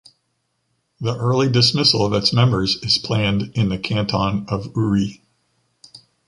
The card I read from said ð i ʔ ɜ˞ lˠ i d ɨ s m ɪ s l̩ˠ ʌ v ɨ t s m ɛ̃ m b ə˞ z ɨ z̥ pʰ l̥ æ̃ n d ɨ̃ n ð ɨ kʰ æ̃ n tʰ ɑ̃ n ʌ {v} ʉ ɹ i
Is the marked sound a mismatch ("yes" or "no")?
no